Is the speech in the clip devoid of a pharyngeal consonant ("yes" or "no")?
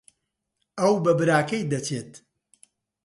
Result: yes